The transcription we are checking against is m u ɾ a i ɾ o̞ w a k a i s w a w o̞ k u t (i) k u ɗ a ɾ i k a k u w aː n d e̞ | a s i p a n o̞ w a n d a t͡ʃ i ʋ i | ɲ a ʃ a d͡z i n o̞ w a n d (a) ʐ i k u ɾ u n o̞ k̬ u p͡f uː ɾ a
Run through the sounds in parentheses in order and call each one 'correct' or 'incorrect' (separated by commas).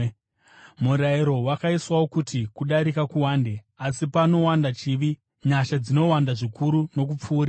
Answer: correct, correct